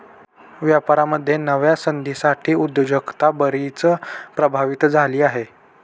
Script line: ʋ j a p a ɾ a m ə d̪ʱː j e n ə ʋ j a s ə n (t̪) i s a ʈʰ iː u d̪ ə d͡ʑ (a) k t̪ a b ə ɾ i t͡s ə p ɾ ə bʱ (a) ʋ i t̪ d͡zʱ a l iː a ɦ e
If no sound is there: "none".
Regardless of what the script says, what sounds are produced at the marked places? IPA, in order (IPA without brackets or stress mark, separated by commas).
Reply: d̪, ə, a